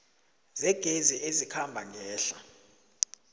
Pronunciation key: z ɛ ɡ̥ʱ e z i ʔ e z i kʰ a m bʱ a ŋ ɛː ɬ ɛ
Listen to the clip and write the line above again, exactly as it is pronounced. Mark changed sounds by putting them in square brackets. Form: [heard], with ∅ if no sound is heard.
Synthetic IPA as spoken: z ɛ ɡ̥ʱ e z i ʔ e z i kʰ a m bʱ a ŋ ɛː ɬ [a]